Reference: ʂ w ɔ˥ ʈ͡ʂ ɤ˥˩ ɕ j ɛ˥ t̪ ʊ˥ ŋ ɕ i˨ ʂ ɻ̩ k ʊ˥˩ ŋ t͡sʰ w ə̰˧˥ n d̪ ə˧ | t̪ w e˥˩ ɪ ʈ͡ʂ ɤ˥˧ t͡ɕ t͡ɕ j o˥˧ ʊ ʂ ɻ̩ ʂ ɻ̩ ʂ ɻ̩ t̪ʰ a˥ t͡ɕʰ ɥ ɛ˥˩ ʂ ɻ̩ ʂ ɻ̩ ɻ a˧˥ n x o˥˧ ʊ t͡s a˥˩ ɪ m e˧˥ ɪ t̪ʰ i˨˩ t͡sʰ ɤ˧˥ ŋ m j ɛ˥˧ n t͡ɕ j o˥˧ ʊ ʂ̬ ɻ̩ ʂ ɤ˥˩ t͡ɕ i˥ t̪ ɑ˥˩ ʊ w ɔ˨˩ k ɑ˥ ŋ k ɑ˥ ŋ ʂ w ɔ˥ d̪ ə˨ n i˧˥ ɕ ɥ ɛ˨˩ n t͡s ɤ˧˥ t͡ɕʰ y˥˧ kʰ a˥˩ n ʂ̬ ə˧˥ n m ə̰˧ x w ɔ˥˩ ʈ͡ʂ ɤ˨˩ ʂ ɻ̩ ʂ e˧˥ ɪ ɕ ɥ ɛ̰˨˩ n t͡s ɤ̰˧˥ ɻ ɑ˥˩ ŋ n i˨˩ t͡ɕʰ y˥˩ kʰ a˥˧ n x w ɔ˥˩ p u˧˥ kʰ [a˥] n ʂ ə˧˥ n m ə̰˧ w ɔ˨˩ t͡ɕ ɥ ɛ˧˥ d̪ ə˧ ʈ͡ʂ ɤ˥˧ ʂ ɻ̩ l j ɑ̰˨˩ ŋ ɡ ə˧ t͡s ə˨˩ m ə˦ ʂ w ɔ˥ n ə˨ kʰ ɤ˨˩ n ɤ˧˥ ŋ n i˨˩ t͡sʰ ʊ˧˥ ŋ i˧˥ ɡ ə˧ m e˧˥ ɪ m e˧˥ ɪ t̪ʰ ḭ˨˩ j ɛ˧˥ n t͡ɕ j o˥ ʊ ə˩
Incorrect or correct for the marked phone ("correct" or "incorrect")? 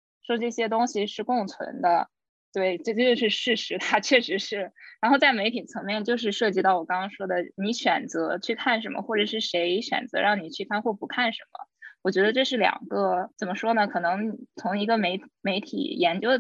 incorrect